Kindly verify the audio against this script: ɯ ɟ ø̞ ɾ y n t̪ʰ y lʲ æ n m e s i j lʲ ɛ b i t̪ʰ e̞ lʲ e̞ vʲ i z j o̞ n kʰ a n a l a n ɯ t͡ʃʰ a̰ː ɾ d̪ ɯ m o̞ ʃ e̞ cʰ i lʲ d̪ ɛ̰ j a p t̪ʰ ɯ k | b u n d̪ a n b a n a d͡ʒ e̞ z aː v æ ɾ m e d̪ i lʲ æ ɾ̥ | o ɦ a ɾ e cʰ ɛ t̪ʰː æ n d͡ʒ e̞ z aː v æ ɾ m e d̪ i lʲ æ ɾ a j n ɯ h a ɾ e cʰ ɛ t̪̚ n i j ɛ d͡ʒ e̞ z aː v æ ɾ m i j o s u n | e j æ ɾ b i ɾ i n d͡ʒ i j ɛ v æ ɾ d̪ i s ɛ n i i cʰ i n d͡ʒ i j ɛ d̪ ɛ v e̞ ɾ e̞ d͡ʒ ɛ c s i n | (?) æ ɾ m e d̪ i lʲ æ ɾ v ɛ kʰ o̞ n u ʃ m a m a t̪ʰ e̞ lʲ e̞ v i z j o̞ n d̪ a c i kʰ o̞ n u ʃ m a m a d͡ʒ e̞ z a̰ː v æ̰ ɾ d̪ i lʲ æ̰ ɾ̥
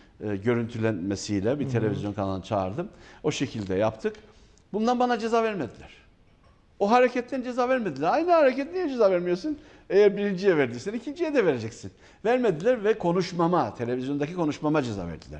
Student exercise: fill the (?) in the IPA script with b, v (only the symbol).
v